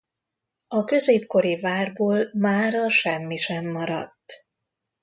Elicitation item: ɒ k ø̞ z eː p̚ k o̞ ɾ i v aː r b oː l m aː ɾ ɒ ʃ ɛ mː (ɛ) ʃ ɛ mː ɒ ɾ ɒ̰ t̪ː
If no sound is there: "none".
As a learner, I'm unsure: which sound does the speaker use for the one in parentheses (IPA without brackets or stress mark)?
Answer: i